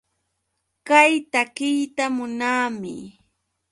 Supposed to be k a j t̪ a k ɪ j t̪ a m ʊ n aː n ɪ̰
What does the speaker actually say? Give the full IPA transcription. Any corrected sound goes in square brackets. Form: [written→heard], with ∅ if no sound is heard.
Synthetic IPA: k a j t̪ a k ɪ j t̪ a m ʊ n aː [n→m] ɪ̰